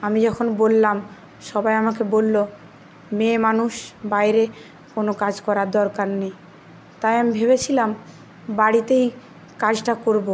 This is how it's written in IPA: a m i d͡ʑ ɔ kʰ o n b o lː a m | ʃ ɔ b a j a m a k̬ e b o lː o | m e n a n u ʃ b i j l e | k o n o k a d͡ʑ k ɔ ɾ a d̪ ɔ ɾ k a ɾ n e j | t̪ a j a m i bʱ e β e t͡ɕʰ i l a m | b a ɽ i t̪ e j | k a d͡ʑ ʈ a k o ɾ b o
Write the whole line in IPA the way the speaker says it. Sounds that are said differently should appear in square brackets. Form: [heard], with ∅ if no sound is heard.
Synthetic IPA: a m i d͡ʑ ɔ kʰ o n b o lː a m | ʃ ɔ b a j a m a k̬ e b o lː o | m e [m] a n u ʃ b [a] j [ɾ] e | k o n o k a d͡ʑ k ɔ ɾ a d̪ ɔ ɾ k a ɾ n e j | t̪ a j a m i bʱ e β e t͡ɕʰ i l a m | b a ɽ i t̪ e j | k a d͡ʑ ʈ a k o ɾ b o